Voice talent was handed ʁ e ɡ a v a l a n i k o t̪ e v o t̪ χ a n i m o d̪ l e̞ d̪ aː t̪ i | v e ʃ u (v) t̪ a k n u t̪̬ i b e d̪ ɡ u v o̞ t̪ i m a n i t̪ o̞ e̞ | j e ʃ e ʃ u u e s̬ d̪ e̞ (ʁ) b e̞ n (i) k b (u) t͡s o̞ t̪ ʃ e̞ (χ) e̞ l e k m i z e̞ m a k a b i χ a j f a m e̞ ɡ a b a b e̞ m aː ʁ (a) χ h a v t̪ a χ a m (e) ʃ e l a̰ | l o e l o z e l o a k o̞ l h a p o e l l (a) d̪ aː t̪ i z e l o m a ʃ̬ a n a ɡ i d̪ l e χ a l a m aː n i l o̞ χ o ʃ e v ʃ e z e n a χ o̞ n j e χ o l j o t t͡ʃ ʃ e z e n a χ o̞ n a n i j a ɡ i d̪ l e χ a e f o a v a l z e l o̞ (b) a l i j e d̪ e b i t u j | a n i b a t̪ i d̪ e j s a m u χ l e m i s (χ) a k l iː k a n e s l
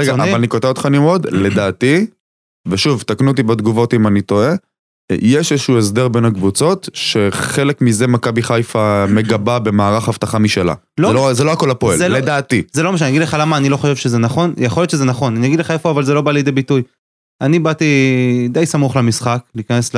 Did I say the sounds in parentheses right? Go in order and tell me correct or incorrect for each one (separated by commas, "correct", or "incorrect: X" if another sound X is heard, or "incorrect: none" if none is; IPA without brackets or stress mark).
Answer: correct, correct, incorrect: a, correct, correct, correct, incorrect: i, incorrect: e, correct, correct